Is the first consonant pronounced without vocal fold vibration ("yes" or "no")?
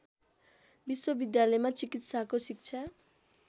no